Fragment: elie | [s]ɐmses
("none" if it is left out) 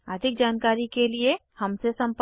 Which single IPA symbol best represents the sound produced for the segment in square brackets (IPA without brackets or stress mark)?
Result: h